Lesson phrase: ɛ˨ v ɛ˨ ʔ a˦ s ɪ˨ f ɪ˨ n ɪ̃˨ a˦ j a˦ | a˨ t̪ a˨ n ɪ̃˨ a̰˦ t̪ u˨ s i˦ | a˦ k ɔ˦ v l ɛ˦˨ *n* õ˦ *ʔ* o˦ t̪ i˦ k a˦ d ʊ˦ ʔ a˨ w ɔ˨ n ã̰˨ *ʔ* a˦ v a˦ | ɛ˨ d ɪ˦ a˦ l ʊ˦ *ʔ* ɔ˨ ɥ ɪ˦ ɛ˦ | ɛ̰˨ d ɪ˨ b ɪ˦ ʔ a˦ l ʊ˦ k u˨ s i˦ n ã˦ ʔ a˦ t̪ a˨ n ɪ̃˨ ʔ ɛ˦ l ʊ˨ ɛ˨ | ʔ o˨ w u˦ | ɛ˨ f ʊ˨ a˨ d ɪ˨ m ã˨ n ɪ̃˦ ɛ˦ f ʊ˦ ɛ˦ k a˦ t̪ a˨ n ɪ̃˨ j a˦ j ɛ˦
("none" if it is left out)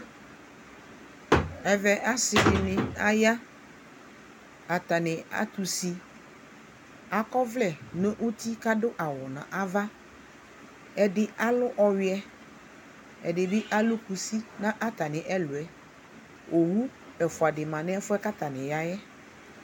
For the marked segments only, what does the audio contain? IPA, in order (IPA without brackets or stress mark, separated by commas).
n, ʔ, ʔ, ʔ